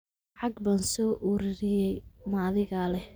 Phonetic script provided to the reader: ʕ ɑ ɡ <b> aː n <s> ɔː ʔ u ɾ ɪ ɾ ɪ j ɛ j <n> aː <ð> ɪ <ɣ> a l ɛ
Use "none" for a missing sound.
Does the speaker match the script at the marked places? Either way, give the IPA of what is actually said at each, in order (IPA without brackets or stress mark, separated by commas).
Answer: b, s, m, ð, ɣ